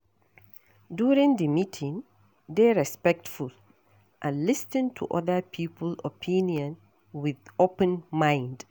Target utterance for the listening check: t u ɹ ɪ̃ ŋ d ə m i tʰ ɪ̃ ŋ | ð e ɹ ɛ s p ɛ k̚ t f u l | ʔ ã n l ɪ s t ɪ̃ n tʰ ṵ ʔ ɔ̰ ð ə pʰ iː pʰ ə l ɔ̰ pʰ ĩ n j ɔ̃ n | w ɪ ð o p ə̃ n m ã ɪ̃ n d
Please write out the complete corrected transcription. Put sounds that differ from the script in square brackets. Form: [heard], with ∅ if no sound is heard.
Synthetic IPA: [d] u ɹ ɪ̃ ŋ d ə m i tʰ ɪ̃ ŋ | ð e ɹ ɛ s p ɛ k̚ t f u l | ʔ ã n l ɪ s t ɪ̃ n tʰ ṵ ʔ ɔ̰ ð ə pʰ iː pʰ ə l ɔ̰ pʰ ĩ n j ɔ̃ n | w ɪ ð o p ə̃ n m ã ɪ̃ n d